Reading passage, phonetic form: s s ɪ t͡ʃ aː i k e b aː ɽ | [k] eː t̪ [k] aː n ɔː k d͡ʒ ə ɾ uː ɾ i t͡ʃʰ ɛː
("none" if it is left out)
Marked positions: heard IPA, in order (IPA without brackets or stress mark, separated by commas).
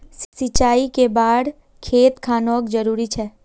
kʰ, kʰ